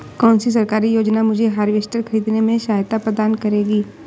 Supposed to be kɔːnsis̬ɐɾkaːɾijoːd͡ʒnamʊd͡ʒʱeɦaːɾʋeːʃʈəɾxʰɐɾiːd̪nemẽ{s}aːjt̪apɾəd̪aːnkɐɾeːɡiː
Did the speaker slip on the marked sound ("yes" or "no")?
yes